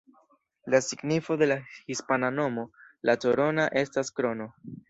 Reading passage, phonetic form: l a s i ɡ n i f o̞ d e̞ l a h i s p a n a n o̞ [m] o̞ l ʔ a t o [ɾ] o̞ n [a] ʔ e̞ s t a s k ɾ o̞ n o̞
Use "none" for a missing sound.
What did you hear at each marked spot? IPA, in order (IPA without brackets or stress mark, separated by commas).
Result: m, ɾ, a